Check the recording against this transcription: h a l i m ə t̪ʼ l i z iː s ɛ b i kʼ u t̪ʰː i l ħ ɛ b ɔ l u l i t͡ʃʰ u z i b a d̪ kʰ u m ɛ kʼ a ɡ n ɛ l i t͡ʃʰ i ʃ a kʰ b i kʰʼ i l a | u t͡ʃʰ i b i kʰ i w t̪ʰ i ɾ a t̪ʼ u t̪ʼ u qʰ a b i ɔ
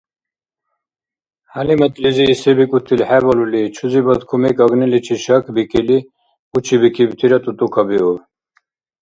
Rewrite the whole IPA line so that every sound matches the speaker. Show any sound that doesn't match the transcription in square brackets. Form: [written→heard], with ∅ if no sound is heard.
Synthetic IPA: h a l i m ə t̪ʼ l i z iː s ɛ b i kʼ u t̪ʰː i l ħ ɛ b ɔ l u l i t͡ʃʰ u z i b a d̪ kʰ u m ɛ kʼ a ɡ n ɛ l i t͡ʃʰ i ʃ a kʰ b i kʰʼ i l [a→i] | u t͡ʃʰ i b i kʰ i [w→b] t̪ʰ i ɾ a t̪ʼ u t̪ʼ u [qʰ→kʰ] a b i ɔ